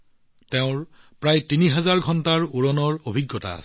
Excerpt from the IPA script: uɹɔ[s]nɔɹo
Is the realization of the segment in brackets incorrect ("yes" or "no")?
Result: yes